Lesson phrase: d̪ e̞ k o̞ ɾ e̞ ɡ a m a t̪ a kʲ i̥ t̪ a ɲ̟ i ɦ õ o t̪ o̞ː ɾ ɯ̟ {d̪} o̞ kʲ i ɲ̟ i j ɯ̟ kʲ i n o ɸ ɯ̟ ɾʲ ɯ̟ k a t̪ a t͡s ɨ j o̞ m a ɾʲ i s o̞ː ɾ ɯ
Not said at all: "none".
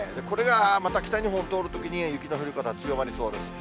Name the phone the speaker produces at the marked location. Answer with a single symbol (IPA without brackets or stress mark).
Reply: t̪